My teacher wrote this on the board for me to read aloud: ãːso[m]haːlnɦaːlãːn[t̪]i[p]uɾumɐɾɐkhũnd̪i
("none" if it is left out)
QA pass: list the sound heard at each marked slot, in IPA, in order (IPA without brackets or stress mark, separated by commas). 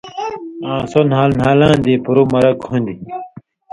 n, d̪, p